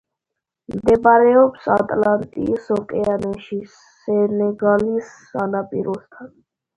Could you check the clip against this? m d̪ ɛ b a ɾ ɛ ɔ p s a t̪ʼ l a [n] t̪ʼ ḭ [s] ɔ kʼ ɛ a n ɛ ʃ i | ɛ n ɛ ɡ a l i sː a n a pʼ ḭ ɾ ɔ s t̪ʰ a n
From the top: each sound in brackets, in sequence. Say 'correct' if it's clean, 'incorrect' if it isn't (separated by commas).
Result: correct, correct